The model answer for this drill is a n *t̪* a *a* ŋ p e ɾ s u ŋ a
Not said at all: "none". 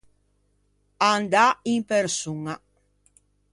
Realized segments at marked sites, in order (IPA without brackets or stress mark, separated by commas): d̪, i